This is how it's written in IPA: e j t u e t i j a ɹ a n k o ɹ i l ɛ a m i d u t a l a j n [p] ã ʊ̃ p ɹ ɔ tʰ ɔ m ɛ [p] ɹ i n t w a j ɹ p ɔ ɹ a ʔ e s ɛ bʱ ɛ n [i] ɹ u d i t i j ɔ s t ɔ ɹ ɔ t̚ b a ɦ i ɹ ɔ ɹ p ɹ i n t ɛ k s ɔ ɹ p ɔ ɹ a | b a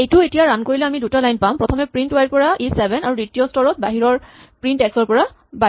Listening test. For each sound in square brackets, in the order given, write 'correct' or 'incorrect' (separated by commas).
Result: correct, correct, incorrect